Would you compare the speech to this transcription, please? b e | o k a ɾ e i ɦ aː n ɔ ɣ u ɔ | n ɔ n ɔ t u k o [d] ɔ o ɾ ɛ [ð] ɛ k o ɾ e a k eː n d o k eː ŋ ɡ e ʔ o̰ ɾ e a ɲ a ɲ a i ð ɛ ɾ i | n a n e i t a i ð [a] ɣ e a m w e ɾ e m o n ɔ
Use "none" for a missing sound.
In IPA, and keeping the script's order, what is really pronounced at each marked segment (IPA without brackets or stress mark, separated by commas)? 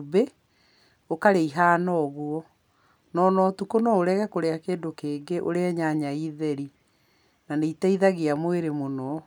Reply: n, ɣ, a